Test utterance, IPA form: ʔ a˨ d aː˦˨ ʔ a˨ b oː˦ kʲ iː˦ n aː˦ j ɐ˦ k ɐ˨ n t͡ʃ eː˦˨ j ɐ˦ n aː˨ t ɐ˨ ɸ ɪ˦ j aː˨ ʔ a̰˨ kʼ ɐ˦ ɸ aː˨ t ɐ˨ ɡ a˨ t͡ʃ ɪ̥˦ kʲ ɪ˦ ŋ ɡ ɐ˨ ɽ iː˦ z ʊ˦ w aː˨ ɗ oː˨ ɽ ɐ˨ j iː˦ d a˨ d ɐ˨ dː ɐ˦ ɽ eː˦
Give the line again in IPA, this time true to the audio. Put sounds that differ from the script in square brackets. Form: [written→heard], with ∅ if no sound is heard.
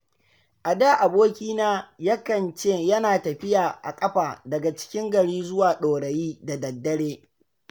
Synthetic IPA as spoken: ʔ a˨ d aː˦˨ ʔ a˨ b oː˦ kʲ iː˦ n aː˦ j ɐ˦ k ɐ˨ n t͡ʃ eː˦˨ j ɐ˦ n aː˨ t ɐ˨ ɸ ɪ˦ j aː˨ ʔ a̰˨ kʼ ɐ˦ ɸ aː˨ [t→d] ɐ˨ ɡ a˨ t͡ʃ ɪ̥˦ kʲ ɪ˦ ŋ ɡ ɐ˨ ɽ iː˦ z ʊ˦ w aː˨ ɗ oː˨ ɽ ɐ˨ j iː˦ d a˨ d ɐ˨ dː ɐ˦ ɽ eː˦